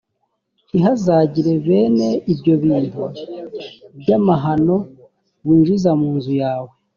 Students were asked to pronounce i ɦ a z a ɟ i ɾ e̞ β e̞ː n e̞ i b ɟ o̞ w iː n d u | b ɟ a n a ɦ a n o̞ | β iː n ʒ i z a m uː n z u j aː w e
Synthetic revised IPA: i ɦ a z a ɟ i ɾ e̞ β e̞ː n e̞ i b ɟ o̞ β iː n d u | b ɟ a m a ɦ a n o̞ | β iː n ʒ i z a m uː n z u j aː w e

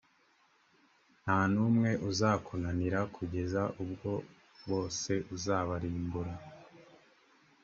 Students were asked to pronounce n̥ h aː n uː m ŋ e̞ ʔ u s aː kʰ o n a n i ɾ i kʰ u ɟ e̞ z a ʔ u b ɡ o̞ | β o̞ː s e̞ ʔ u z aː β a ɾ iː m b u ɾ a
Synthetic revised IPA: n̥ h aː n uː m ŋ e̞ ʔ u z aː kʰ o n a n i ɾ a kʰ u ɟ e̞ z a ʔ u b ɡ o̞ | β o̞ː s e̞ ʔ u z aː β a ɾ iː m b u ɾ a

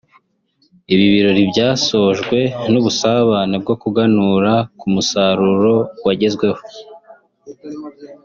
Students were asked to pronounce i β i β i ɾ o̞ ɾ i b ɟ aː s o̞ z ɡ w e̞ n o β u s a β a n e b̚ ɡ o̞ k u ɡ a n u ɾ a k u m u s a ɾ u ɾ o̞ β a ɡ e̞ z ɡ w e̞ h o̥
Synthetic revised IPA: i β i β i ɾ o̞ ɾ i b ɟ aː s o̞ ʒ ɡ w e̞ n u β u s a β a n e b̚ ɡ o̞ k u ɡ a n u ɾ a k u m u s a ɾ u ɾ o̞ w a ɟ e̞ z ɡ w e̞ h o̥

